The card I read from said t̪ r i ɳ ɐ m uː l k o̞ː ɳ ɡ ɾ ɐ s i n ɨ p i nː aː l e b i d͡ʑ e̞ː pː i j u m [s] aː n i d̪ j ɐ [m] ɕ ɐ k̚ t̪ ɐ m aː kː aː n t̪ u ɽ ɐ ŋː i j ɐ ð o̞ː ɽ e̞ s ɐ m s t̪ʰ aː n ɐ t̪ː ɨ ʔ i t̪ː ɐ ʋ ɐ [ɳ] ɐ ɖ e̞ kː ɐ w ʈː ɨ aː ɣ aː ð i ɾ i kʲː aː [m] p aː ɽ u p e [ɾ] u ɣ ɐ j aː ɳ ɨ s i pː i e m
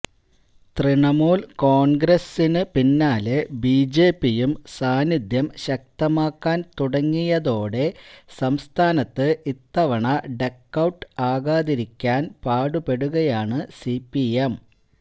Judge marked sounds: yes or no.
yes, yes, yes, no, no

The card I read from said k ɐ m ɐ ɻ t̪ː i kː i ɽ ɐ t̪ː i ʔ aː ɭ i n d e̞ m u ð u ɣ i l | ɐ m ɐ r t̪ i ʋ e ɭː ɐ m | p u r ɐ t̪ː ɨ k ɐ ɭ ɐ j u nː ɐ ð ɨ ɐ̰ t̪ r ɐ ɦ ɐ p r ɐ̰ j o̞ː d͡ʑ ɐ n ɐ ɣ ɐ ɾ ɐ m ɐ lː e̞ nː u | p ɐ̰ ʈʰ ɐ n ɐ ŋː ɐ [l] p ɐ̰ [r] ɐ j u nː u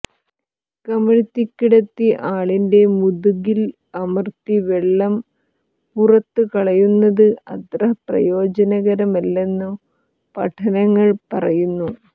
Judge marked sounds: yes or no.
no, yes

